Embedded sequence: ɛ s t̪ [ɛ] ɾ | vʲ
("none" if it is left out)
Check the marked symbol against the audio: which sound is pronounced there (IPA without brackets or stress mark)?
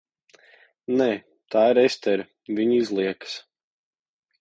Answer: ɛ